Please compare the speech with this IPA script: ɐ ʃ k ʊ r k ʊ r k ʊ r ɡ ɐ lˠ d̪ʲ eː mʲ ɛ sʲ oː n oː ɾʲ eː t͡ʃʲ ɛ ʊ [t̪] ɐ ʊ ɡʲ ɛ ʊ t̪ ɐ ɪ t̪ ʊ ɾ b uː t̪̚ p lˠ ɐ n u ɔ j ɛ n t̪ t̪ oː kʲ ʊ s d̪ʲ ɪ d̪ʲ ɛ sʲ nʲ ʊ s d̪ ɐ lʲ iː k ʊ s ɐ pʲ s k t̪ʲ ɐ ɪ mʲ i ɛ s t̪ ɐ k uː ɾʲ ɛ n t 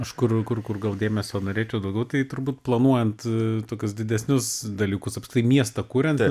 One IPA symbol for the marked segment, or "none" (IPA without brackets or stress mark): d̪